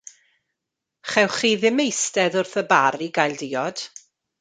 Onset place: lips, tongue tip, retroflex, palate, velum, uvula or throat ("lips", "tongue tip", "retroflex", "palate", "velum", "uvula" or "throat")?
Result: uvula